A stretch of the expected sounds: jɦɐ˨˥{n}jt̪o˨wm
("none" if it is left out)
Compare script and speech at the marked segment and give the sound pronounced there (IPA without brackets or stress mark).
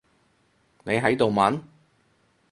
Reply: none